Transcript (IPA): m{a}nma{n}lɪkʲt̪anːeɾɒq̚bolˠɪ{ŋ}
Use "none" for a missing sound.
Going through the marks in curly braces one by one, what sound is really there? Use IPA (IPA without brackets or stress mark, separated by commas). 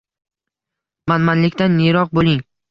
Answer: a, n, ŋ